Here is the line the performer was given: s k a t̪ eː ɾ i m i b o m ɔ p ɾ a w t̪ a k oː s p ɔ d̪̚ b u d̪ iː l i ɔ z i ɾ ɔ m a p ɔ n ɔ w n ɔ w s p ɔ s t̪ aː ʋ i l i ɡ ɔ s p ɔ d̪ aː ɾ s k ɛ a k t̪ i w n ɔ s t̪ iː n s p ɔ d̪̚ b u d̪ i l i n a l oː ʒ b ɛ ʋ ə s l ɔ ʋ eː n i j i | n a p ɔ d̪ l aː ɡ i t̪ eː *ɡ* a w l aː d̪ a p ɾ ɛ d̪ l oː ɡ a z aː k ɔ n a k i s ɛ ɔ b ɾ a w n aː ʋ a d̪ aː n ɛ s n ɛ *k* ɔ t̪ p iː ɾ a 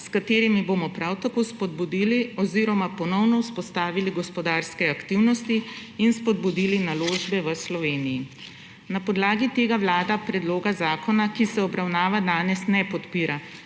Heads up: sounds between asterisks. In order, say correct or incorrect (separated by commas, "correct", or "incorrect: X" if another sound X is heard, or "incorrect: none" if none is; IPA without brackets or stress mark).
correct, incorrect: p